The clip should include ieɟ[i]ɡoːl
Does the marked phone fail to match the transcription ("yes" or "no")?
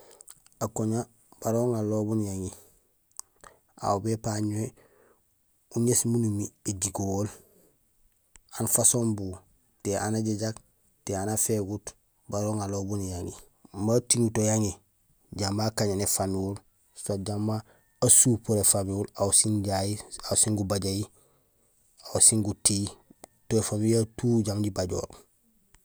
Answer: no